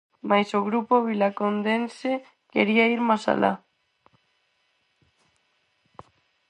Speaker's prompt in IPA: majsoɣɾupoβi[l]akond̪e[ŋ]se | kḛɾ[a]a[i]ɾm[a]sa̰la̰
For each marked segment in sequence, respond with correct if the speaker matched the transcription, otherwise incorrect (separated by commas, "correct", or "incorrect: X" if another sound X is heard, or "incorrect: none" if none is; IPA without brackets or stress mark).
correct, incorrect: n, incorrect: i, correct, correct